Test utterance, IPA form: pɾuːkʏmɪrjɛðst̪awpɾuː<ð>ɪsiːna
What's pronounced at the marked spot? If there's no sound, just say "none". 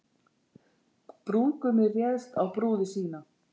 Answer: ð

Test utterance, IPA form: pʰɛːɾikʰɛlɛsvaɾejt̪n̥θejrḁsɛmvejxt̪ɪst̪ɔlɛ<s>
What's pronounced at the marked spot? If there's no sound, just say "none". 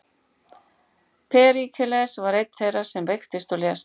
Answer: s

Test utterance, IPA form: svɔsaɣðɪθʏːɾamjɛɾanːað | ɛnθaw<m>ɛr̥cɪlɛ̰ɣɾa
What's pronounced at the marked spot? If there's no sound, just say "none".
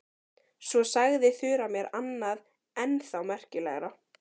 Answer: m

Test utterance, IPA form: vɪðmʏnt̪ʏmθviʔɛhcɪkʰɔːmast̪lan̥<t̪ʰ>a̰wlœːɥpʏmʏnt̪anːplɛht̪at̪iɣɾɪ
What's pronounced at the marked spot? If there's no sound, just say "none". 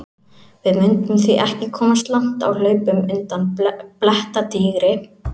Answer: t̪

